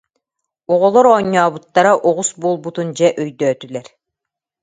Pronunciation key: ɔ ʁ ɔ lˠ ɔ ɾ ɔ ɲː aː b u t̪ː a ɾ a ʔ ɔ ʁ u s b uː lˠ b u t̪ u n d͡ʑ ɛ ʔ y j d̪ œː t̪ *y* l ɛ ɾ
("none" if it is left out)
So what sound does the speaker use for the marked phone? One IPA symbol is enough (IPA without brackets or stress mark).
y